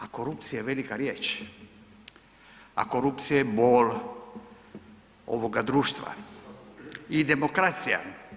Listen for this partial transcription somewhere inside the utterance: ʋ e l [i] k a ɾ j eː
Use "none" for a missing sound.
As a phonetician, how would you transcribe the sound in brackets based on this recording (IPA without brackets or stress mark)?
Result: i